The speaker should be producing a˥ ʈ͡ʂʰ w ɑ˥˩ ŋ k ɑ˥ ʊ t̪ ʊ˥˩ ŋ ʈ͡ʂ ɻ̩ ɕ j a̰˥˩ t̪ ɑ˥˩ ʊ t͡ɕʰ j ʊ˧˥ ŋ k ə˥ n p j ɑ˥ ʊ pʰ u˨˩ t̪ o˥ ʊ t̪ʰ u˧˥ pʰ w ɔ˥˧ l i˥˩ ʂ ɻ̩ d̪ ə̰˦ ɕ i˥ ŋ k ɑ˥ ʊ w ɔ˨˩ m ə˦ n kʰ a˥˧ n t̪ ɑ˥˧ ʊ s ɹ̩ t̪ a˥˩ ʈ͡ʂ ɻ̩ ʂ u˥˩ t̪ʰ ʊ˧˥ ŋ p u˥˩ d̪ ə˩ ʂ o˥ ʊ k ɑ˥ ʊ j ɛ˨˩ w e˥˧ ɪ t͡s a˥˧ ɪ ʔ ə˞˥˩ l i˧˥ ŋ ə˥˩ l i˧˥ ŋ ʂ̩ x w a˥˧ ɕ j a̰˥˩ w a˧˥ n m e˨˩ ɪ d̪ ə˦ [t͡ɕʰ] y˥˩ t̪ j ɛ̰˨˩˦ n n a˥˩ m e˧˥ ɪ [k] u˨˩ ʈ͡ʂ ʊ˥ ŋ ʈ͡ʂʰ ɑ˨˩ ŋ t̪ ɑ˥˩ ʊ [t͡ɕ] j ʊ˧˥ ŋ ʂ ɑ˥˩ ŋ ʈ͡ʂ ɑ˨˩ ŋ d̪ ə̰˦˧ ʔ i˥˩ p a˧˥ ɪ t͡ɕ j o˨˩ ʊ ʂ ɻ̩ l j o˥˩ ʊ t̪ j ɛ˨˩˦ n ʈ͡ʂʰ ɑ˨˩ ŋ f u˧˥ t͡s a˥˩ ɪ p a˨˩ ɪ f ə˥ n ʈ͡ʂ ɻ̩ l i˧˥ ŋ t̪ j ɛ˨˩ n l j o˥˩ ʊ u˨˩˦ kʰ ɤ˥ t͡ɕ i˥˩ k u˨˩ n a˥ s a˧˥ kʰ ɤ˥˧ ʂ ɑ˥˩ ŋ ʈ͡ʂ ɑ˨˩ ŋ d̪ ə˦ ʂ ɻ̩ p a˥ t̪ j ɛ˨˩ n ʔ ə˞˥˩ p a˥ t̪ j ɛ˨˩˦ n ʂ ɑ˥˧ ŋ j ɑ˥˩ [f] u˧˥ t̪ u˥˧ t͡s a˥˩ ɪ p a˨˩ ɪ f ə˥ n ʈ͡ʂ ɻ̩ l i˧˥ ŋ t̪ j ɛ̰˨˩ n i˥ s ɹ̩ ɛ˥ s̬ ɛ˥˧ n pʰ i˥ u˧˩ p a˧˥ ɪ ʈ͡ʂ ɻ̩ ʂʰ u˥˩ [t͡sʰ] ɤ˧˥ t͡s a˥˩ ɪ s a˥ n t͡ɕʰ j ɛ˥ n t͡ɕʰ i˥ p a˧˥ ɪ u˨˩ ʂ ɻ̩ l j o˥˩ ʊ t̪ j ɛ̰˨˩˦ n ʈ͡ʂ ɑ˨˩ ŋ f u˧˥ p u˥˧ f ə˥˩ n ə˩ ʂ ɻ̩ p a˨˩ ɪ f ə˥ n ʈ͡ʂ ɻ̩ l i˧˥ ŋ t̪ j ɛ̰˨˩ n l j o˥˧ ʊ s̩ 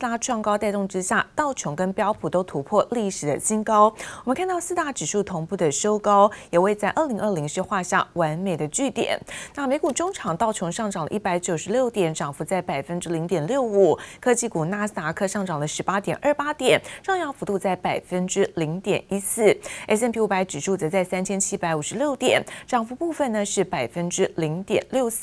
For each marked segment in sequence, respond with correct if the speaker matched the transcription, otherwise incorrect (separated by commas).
incorrect, correct, incorrect, correct, incorrect